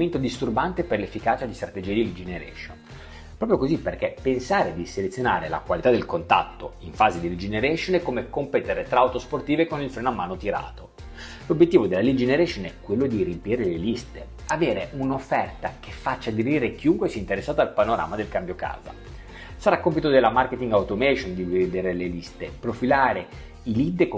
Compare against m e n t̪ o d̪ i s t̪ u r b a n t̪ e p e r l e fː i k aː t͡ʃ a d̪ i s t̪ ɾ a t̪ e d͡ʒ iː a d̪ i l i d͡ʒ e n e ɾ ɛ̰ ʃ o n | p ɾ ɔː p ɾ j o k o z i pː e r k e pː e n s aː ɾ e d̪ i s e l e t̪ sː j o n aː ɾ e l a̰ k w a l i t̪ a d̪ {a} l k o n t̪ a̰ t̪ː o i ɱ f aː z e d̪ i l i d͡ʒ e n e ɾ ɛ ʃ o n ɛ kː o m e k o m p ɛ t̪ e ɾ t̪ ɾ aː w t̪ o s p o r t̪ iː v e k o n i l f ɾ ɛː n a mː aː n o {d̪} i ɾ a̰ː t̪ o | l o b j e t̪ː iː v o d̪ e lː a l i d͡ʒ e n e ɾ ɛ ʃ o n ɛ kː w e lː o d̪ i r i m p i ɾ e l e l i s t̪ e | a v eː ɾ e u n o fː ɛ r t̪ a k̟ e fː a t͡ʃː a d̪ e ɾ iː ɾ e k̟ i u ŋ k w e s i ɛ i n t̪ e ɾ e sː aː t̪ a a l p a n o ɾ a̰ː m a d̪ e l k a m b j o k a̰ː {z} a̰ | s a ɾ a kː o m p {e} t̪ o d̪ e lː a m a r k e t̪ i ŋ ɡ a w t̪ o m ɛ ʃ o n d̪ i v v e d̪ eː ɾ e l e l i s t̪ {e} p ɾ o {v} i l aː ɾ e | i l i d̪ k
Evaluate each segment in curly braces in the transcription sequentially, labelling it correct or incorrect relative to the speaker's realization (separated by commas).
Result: incorrect, incorrect, correct, incorrect, correct, incorrect